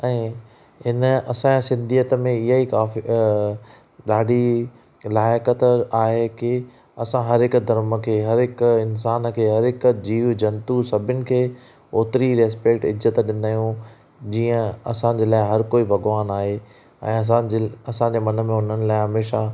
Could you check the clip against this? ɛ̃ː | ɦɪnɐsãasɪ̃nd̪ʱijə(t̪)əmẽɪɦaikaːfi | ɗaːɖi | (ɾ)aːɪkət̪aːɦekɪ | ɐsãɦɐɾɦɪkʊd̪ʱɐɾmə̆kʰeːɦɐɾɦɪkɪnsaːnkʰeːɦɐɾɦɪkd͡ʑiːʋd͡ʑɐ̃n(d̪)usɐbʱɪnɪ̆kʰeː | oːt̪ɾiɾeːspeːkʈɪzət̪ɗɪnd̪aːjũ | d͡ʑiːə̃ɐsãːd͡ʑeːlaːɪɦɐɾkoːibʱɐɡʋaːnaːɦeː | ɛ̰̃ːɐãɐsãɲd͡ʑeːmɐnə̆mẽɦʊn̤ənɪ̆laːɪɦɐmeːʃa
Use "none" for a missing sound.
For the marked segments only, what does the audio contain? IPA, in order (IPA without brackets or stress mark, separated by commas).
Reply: t̪, l, t̪